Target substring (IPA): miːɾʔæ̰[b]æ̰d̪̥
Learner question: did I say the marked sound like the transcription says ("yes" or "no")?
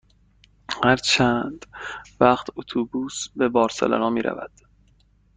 no